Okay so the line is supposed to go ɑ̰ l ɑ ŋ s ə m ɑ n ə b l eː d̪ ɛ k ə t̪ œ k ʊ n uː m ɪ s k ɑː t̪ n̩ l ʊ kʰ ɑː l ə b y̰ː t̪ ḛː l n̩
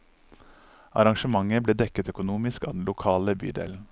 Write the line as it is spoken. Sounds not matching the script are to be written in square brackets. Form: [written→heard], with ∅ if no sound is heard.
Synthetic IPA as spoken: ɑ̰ [l→ɾ] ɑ ŋ [s→ʃ] ə m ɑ [n→ŋ] ə b l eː d̪ ɛ k ə t̪ œ k ʊ n uː m ɪ s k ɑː [t̪→d̪] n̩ l ʊ kʰ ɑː l ə b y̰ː [t̪→d̪] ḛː l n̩